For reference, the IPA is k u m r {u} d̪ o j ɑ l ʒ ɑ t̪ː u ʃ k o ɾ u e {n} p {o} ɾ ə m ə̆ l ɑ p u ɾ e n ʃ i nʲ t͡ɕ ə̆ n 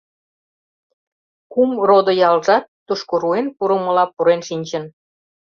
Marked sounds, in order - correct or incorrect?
incorrect, correct, incorrect

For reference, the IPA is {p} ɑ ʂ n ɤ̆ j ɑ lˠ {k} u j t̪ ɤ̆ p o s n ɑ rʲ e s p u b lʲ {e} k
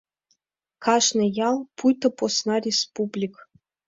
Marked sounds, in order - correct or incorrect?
incorrect, incorrect, incorrect

